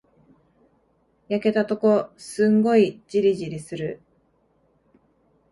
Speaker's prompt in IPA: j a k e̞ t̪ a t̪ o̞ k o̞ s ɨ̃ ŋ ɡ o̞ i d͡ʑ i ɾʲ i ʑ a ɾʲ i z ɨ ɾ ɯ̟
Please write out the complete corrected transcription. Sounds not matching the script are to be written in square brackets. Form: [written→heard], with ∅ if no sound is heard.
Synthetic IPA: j a k e̞ t̪ a t̪ o̞ k o̞ s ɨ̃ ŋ ɡ o̞ i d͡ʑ i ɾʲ i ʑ [a→i] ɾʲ i [z→s] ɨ ɾ ɯ̟